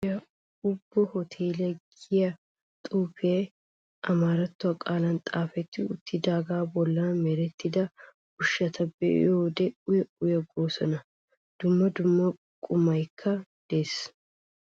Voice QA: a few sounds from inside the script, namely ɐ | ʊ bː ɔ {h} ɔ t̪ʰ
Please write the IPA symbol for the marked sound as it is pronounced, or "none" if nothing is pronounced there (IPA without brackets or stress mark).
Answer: h